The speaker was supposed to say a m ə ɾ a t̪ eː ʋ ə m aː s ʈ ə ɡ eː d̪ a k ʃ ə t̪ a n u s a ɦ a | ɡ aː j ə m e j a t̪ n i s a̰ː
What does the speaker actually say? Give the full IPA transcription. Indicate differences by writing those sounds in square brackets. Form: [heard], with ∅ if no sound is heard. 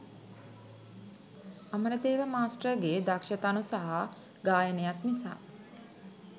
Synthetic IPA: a m ə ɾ [ə] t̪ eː ʋ ə m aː s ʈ ə ɡ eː d̪ a k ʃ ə t̪ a n u s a ɦ a | ɡ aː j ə [n] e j a t̪ n i s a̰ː